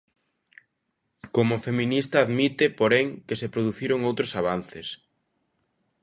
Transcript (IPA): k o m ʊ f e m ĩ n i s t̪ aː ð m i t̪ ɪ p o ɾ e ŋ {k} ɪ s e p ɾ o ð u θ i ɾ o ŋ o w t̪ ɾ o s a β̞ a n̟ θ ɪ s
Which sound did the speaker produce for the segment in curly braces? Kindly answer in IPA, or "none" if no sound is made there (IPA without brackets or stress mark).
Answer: k